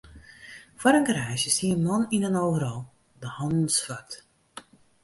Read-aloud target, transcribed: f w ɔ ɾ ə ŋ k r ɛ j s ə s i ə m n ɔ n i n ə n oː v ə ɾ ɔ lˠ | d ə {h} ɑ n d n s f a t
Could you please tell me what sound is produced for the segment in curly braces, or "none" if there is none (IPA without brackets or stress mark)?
h